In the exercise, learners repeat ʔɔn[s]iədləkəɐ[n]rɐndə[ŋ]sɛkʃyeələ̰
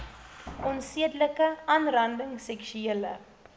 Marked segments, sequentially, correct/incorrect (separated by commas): correct, correct, correct